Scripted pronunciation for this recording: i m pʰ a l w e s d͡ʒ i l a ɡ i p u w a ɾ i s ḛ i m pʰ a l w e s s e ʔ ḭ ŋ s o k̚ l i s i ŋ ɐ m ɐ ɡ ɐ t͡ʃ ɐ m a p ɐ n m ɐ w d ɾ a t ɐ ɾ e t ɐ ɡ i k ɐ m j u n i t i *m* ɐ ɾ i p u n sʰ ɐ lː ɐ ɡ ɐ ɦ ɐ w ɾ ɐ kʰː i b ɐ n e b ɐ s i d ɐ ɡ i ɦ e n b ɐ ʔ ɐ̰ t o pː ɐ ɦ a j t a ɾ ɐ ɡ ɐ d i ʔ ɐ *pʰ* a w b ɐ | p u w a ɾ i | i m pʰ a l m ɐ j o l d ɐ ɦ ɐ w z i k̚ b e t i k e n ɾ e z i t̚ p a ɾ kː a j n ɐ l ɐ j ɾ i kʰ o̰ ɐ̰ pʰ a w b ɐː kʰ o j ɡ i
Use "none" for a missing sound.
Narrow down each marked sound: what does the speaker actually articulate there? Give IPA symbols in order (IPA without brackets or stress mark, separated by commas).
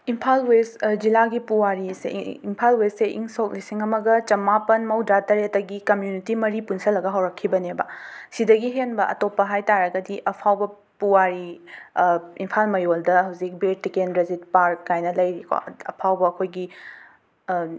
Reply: m, pʰ